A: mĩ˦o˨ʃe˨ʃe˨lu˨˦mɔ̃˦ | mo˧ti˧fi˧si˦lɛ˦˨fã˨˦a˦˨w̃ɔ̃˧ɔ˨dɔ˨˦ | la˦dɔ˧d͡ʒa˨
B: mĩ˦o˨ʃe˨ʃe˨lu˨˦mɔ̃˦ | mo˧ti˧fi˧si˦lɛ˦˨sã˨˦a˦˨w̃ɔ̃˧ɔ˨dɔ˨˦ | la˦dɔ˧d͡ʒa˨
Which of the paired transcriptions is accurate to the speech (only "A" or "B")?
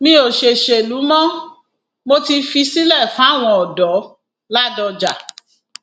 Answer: A